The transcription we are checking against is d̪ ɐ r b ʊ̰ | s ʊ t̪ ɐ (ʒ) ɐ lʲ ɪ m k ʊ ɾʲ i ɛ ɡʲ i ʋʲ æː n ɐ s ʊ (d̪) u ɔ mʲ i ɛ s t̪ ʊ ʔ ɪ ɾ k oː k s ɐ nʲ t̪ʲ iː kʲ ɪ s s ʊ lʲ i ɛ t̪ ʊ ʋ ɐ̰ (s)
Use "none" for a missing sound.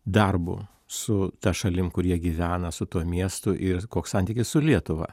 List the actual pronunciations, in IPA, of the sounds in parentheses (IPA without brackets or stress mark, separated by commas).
ʃ, t̪, none